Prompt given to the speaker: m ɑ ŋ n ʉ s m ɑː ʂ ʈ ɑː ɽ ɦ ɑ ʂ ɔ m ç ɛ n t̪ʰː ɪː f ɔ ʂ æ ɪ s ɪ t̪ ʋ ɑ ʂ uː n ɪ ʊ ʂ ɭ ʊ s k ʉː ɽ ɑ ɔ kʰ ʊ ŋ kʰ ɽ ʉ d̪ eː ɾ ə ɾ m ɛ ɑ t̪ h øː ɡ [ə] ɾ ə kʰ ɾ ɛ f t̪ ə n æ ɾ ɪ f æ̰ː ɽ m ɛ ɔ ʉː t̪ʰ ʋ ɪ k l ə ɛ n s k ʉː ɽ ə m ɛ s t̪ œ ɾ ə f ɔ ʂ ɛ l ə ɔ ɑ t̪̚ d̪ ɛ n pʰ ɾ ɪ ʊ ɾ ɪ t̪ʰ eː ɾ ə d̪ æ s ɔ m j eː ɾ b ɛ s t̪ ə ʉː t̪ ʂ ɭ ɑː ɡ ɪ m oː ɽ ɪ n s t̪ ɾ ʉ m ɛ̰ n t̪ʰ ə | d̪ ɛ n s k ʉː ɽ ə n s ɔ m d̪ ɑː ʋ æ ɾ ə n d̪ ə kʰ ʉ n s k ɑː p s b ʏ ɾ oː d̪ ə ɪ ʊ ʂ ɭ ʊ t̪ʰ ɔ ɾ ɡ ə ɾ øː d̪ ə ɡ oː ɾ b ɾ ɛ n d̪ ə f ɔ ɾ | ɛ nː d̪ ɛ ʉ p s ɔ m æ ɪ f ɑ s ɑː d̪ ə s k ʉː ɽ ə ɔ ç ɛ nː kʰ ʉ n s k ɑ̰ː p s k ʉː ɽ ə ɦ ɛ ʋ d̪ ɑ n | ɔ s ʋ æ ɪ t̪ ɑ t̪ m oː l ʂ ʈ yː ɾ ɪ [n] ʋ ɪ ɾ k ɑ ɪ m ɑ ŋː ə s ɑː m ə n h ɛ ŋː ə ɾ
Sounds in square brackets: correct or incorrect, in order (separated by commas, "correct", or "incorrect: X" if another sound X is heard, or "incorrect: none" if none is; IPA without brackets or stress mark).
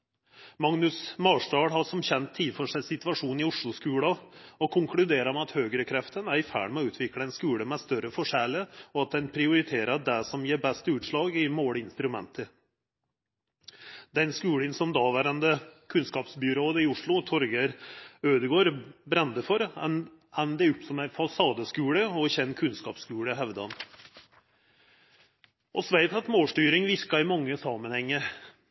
correct, incorrect: ŋ